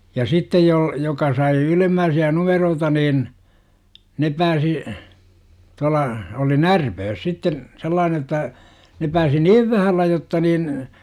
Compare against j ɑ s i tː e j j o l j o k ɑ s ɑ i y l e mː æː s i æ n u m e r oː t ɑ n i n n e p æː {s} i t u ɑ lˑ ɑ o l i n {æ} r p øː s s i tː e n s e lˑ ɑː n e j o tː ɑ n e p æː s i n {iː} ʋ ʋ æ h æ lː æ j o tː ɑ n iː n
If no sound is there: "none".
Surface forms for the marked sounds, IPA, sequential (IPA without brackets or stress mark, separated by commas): s, æ, iː